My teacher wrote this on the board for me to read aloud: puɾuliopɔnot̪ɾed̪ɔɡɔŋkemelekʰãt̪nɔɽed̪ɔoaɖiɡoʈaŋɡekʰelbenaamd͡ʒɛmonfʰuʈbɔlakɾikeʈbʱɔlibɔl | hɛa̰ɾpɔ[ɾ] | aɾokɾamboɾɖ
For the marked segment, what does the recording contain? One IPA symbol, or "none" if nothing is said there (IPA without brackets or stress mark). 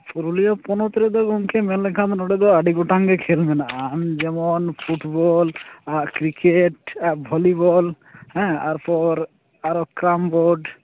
ɾ